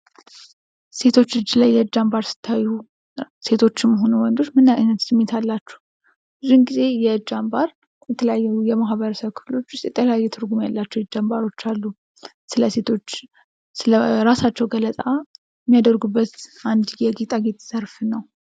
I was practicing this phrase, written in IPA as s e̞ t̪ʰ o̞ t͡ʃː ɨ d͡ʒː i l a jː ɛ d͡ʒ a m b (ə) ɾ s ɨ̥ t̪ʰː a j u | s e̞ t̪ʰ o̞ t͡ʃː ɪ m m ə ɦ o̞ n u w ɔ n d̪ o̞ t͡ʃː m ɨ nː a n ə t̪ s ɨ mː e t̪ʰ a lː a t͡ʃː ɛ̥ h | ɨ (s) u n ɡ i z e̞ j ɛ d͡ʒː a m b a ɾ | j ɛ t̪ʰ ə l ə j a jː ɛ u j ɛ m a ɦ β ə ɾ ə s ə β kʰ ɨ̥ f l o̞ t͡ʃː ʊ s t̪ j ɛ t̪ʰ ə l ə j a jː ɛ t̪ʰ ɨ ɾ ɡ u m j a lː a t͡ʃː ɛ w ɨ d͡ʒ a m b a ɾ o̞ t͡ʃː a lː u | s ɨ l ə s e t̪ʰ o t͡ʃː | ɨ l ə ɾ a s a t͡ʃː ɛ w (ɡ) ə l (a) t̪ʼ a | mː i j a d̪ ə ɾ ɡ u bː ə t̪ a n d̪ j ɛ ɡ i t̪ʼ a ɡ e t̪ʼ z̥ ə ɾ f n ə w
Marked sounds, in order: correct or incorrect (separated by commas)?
incorrect, incorrect, correct, incorrect